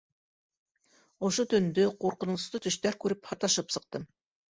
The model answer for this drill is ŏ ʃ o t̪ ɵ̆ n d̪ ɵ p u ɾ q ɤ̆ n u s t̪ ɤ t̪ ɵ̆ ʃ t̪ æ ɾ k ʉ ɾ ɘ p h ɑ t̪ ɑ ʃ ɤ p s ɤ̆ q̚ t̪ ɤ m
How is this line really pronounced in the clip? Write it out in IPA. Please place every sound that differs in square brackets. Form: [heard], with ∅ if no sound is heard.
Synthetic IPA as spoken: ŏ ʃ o t̪ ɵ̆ n d̪ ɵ [q] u ɾ q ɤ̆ n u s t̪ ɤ t̪ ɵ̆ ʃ t̪ æ ɾ k ʉ ɾ ɘ p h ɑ t̪ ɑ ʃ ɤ p s ɤ̆ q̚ t̪ ɤ m